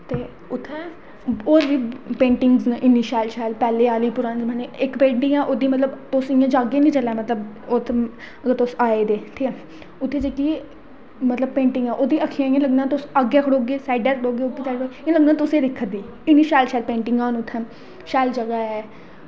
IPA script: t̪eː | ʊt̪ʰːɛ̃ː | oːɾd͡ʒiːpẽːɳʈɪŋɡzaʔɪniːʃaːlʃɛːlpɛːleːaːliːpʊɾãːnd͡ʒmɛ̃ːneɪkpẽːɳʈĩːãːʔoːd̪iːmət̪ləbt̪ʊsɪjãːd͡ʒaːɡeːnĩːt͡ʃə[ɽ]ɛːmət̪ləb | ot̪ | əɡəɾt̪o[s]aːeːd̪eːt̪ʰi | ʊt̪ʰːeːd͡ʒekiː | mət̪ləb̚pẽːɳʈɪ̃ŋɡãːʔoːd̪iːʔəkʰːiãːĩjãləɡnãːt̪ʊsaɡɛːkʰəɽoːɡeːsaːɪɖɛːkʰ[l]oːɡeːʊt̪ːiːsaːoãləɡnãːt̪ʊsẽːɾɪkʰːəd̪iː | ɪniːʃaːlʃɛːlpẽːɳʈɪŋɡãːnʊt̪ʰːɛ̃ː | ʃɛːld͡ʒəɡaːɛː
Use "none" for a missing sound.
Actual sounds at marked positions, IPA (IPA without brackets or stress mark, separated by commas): l, s, ɽ